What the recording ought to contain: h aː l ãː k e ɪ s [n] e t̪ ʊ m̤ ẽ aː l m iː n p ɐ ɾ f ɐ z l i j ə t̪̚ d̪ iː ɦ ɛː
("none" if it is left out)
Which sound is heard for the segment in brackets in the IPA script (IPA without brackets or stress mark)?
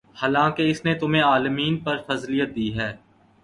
n